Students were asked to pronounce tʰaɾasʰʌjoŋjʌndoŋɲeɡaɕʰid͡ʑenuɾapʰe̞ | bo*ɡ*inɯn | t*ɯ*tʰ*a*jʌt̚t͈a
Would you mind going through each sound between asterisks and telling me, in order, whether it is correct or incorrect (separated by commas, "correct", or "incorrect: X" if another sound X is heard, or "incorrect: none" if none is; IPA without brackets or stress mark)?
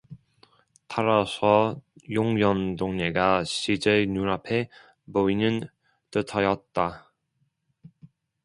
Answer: incorrect: none, correct, incorrect: ʌ